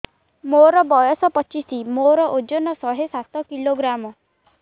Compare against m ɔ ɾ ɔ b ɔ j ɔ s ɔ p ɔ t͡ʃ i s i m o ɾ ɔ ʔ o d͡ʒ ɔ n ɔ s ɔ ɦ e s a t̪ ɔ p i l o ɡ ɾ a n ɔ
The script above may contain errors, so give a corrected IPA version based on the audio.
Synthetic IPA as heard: m o ɾ ɔ b ɔ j ɔ s ɔ p ɔ t͡ʃ i s i m o ɾ ɔ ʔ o d͡ʒ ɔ n ɔ s ɔ ɦ e s a t̪ ɔ k i l o ɡ ɾ a m ɔ